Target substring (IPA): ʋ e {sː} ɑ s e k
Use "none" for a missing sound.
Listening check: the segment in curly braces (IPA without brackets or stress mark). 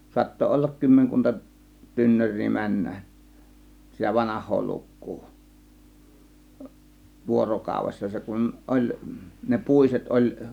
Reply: sː